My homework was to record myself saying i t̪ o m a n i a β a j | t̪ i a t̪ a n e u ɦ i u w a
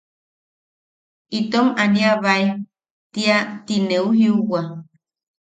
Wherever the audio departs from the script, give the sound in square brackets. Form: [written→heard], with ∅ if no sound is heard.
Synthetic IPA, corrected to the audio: i t̪ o m a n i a β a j | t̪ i a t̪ [a→i] n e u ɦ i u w a